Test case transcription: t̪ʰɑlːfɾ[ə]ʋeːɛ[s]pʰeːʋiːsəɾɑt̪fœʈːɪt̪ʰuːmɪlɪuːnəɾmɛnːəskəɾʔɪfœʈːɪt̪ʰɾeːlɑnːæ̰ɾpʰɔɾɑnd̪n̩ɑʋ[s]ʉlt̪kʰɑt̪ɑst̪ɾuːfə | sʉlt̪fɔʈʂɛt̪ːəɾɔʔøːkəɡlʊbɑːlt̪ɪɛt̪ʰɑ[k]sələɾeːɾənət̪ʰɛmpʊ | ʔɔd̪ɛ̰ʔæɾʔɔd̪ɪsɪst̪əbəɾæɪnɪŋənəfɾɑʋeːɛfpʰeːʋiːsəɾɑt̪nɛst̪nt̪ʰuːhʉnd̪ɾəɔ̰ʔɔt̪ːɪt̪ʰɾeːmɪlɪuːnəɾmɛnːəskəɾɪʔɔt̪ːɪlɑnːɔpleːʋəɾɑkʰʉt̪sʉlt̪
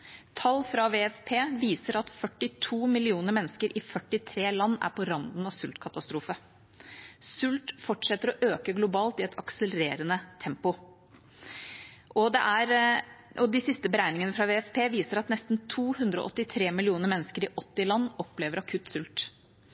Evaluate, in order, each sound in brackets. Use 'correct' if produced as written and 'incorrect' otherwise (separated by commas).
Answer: incorrect, incorrect, correct, correct